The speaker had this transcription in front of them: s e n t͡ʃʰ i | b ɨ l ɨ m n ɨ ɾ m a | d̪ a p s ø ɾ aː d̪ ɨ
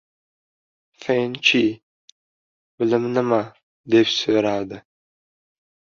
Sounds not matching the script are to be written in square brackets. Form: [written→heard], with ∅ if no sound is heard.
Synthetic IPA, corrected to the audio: [s→f] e n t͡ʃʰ i | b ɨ l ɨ m n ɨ [ɾ→∅] m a | d̪ [a→e] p s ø ɾ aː d̪ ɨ